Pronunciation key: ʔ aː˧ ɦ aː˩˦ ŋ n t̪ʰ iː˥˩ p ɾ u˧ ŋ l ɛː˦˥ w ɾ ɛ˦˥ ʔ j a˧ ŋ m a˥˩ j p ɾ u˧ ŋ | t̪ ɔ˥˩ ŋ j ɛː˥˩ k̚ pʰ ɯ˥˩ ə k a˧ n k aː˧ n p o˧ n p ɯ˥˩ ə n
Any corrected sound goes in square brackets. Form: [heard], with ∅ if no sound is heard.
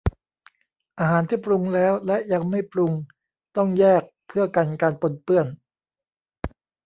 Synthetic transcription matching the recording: ʔ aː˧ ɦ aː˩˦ [∅] n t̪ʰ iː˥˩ p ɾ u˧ ŋ l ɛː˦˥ w [l] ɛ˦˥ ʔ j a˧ ŋ m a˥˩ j p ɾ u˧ ŋ | t̪ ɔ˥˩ ŋ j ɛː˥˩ k̚ pʰ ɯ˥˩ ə k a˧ n k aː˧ n p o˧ n p ɯ˥˩ ə n